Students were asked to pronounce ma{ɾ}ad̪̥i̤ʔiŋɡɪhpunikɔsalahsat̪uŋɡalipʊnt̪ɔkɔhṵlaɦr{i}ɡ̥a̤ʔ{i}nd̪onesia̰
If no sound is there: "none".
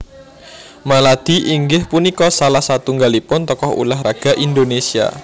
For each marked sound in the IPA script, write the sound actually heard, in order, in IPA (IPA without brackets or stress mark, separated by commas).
l, a, i